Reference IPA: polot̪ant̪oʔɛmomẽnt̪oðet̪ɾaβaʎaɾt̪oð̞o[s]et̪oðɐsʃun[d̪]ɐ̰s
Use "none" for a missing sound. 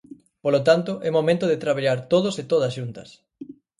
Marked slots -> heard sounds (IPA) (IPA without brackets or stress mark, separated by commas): s, t̪